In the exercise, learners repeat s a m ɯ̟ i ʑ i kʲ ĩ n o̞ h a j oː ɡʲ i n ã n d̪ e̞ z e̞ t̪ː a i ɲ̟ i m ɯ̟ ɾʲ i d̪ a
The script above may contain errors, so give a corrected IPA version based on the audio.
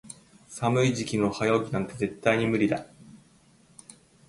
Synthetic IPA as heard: s a m ɯ̟ i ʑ i kʲ i n o̞ h a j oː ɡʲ i n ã n t̪ e̞ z e̞ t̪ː a i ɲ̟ i m ɯ̟ ɾʲ i d̪ a